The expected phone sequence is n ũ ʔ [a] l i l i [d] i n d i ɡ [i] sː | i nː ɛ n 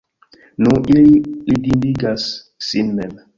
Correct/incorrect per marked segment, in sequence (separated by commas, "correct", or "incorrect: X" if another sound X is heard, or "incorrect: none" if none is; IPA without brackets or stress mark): incorrect: i, correct, incorrect: a